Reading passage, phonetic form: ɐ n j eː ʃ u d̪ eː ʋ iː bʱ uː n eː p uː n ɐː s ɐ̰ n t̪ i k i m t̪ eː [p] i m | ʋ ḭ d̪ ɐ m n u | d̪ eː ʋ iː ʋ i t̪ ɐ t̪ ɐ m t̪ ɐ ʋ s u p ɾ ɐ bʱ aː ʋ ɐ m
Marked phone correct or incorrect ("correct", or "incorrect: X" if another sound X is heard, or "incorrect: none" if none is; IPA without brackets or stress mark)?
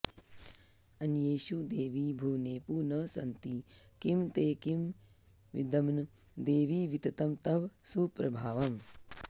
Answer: incorrect: k